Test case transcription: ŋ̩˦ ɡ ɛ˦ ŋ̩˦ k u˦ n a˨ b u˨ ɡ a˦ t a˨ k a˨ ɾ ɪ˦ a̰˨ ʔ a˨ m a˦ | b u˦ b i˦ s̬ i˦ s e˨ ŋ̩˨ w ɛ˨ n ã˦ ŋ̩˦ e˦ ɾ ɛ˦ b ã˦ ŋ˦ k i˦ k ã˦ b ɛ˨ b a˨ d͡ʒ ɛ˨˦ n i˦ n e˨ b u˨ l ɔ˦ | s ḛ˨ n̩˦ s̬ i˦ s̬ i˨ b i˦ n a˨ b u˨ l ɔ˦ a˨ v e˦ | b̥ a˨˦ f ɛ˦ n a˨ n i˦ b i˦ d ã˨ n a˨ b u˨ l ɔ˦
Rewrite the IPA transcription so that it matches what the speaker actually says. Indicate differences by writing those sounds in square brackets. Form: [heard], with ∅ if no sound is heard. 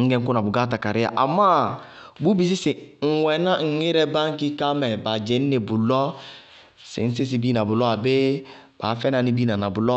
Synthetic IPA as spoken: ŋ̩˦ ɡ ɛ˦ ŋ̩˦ k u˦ n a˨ b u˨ ɡ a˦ t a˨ k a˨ ɾ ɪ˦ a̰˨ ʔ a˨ m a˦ | b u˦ b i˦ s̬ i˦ s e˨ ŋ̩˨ w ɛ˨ n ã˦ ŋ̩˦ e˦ ɾ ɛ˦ b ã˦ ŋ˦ k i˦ k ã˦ [m] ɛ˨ b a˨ d͡ʒ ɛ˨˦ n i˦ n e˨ b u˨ l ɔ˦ | s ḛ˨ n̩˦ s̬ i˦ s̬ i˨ b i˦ n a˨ b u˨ l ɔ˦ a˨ [b] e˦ | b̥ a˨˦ f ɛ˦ n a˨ n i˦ b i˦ [n] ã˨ n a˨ b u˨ l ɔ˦

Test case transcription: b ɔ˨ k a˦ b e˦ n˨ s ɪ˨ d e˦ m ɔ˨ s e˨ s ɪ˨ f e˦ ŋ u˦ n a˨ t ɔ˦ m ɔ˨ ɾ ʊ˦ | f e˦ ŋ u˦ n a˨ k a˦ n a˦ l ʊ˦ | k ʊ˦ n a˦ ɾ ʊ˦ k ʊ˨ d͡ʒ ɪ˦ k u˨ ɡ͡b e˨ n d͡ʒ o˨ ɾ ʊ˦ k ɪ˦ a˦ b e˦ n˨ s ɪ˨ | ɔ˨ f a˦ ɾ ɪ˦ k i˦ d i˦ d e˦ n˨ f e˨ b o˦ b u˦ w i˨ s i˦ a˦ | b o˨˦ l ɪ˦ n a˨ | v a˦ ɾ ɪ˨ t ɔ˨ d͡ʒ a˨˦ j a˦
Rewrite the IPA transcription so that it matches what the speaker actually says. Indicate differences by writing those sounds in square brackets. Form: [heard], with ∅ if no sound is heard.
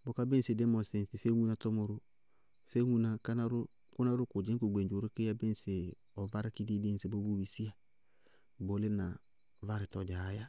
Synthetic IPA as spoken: b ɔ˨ k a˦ b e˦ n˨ s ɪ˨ d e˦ m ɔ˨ s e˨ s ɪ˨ f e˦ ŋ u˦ n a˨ t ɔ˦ m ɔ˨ ɾ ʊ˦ | f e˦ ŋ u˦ n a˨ k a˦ n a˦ [ɾ] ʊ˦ | k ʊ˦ n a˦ ɾ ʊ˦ k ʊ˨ d͡ʒ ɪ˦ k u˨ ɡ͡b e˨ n d͡ʒ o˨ ɾ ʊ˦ k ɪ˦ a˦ b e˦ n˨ s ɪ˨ | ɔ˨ [v] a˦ ɾ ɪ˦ k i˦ d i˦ d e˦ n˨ [s] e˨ b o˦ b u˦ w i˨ s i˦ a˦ | b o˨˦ l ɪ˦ n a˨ | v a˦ ɾ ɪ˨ t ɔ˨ d͡ʒ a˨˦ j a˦

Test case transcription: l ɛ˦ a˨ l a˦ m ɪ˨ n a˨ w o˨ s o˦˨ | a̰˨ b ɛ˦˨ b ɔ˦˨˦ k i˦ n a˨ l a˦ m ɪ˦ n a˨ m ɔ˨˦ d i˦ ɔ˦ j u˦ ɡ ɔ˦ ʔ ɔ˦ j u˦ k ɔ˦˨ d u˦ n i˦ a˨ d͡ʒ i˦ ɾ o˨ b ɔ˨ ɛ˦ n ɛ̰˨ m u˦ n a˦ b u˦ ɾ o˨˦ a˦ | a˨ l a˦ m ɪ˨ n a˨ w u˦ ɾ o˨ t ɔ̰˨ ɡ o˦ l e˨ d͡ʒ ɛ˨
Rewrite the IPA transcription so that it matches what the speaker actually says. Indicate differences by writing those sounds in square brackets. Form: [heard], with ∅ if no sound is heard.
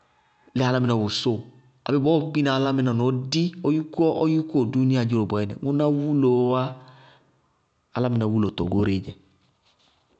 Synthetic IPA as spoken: l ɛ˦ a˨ l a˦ m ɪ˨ n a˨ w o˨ s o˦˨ | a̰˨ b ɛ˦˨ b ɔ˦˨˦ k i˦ n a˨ l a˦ m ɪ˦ n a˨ [n] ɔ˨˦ d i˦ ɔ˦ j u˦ [k] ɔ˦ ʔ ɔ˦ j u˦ k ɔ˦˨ d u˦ n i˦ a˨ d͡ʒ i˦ ɾ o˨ b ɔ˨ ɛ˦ n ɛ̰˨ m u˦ n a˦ [w] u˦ [l] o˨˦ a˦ | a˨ l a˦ m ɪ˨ n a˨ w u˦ [l] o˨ t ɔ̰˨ ɡ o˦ [ɾ] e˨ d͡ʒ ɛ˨

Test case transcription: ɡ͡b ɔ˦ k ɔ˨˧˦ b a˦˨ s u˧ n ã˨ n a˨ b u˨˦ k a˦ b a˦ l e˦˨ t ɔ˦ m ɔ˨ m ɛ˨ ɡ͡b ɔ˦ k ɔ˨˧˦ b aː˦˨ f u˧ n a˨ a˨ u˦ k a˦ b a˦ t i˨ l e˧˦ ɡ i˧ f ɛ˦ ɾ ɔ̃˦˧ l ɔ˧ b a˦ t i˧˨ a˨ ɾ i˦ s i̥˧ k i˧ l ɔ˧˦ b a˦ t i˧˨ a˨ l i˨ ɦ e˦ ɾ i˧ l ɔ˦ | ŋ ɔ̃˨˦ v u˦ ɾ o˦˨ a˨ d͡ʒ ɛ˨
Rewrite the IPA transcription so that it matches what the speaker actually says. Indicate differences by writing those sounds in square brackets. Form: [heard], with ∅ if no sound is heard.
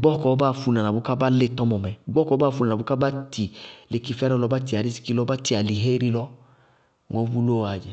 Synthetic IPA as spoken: ɡ͡b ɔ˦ k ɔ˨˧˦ b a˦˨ [f] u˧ n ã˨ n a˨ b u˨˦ k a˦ b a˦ l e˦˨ t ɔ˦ m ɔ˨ m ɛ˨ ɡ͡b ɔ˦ k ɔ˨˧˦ b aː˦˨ f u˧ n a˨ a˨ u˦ k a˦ b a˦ t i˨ l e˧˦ [k] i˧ f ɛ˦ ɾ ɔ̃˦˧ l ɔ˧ b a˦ t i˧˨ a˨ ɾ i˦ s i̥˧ k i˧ l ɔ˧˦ b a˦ t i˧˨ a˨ l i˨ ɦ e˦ ɾ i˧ l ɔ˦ | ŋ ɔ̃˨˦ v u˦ [l] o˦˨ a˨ d͡ʒ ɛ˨

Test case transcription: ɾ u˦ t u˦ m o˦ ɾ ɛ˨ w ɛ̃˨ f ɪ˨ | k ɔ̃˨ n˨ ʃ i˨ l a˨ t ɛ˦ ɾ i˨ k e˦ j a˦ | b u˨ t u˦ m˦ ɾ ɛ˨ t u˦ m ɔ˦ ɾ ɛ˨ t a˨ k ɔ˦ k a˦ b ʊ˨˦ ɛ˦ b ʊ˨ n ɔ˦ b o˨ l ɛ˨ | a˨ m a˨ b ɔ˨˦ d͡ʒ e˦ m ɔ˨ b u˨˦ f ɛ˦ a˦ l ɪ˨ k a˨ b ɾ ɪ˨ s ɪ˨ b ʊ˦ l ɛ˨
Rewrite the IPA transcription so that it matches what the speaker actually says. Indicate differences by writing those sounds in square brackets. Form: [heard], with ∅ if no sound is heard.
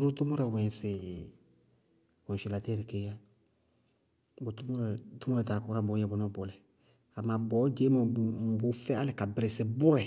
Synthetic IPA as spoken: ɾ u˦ t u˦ m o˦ ɾ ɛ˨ w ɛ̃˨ [s] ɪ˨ | k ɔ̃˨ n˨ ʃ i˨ l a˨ t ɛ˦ ɾ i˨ k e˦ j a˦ | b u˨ t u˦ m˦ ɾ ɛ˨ t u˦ m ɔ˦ ɾ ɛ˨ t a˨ k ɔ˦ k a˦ b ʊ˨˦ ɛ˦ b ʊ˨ n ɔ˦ b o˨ l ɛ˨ | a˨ m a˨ b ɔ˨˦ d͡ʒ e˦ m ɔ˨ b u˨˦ f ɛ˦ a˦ l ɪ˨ k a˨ b ɾ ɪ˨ s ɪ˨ b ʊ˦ [ɾ] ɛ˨

